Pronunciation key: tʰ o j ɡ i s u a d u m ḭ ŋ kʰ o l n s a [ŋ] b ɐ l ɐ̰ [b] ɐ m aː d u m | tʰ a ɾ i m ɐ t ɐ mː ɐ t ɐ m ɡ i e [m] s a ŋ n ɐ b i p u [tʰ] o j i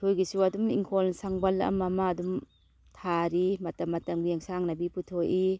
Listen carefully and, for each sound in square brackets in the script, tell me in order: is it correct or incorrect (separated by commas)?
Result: correct, incorrect, incorrect, correct